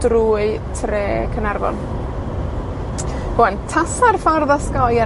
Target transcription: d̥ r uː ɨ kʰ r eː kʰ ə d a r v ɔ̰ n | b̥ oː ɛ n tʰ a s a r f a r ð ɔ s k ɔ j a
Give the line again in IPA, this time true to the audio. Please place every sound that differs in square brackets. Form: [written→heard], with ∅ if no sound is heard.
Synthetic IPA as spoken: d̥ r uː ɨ [kʰ→tʰ] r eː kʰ ə [d→n] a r v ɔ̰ n | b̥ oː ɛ n tʰ a s a r f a r ð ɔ s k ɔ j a